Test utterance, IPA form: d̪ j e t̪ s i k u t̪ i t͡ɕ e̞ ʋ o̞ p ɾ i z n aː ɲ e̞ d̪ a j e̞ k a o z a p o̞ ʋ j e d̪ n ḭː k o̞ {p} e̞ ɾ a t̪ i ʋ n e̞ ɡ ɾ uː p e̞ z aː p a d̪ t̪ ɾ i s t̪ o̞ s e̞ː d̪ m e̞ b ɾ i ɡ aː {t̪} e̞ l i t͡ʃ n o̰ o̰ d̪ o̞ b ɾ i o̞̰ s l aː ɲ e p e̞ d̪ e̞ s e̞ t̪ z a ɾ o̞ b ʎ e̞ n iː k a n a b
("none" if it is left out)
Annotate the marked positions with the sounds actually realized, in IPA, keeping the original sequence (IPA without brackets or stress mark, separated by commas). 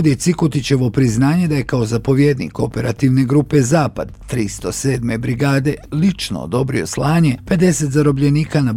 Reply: p, d̪